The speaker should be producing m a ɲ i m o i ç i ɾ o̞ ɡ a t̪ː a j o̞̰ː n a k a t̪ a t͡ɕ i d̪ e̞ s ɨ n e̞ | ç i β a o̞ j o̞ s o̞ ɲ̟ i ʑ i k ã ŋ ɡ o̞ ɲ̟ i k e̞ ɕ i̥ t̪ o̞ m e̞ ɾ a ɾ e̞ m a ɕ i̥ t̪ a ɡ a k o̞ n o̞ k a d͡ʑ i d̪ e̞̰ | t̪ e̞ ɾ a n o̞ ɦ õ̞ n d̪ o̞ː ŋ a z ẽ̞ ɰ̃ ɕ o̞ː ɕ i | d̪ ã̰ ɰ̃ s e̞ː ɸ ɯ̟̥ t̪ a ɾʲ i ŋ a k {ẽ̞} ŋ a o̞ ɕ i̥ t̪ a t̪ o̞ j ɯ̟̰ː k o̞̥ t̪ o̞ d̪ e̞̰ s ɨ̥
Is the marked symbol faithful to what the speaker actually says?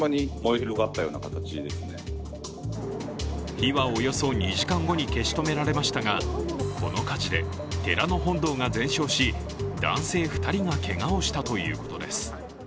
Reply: no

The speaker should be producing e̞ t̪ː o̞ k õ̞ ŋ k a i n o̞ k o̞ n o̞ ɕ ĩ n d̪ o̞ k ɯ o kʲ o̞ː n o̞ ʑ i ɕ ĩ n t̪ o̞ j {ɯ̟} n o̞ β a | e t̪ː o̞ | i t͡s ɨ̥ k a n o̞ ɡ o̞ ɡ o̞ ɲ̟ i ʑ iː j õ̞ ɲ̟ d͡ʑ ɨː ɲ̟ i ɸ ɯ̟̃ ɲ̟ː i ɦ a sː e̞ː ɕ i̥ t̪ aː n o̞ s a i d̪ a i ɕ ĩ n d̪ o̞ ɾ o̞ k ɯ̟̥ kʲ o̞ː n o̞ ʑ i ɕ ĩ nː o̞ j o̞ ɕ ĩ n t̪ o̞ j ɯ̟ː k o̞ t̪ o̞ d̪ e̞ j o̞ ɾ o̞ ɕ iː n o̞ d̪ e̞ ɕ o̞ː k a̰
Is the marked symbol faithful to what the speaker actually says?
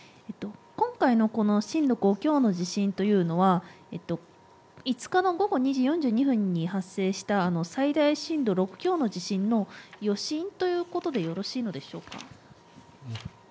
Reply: no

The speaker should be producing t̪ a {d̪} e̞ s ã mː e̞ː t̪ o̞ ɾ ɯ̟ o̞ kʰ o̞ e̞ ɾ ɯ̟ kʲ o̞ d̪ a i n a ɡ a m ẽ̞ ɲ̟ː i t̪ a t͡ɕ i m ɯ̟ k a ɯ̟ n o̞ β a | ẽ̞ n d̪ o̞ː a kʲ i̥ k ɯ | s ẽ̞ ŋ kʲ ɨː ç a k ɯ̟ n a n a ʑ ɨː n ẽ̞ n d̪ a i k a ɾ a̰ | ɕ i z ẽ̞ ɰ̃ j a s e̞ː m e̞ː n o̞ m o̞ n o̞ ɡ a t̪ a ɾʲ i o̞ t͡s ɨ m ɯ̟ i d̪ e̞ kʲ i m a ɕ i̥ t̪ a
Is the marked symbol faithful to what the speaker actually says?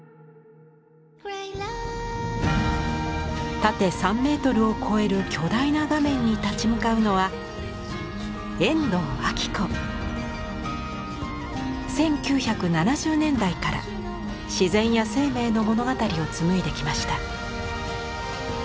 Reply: no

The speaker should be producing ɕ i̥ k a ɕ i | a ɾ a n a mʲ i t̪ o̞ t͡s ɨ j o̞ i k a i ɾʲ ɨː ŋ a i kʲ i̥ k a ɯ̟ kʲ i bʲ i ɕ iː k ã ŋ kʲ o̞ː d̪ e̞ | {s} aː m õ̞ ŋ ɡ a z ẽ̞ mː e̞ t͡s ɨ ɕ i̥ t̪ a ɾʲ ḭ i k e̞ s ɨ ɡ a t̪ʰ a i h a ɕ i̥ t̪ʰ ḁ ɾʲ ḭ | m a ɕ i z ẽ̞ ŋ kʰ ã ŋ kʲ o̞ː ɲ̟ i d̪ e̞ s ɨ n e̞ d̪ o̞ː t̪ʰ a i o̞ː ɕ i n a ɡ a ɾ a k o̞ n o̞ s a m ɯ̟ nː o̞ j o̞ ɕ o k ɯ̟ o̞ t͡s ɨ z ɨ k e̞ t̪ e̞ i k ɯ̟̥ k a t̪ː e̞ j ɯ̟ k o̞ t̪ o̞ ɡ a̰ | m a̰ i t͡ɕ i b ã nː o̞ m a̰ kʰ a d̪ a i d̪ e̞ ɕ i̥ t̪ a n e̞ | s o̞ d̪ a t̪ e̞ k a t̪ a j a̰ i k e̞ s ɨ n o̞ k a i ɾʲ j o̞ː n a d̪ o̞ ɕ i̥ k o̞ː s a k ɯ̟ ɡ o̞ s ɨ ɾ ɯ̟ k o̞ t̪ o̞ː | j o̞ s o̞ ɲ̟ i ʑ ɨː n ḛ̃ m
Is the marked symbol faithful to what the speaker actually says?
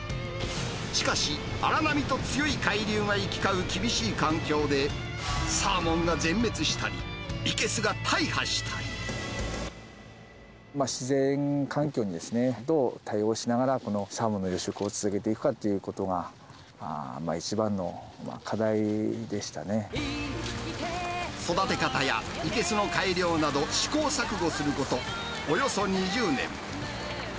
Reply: yes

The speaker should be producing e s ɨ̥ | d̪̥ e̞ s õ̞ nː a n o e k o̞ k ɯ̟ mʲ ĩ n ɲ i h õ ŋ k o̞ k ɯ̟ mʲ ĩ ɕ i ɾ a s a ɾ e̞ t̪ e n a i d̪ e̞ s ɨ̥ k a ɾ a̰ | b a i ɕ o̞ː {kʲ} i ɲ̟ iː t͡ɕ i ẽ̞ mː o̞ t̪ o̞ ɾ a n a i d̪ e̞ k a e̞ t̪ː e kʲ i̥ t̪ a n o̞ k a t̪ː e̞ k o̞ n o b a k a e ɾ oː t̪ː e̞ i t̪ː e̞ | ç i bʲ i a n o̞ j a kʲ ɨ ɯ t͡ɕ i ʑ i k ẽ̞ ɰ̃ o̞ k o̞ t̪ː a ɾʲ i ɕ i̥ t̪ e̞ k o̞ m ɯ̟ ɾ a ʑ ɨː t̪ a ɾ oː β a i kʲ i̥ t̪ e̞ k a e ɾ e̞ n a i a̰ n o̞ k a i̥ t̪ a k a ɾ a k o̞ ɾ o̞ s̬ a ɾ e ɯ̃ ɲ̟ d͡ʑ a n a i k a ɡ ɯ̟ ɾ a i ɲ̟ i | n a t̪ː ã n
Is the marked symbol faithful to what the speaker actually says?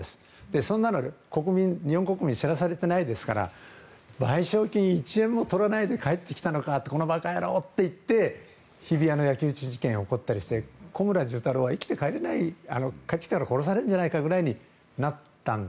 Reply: yes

